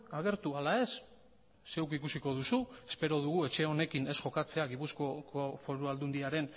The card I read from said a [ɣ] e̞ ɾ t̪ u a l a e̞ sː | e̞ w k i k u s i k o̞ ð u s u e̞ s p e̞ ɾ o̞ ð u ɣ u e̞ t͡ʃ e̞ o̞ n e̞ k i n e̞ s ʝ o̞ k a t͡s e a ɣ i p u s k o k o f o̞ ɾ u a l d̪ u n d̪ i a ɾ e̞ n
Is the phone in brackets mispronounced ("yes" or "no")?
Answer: no